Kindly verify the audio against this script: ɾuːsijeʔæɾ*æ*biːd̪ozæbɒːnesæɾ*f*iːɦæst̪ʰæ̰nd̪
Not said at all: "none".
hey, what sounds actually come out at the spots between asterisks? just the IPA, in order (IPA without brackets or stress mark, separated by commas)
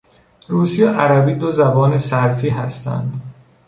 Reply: æ, f